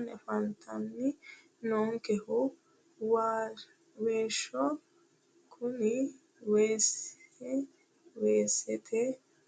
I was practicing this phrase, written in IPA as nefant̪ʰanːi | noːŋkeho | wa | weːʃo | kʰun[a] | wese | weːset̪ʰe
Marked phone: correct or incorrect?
incorrect